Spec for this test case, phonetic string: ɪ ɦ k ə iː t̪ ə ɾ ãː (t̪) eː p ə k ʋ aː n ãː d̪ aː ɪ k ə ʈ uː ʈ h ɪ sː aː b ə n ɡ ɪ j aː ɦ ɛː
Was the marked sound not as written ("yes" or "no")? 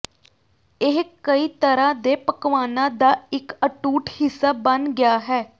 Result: yes